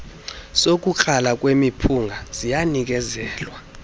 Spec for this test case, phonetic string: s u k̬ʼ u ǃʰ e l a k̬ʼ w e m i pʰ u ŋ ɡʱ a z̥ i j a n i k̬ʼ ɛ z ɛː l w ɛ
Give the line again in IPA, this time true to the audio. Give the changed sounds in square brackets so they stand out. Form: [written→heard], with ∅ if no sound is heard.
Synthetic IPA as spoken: s [u→o] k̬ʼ u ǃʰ [e→a] l a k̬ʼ w e m i pʰ u ŋ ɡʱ a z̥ i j a n i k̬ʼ ɛ z ɛː l w [ɛ→a]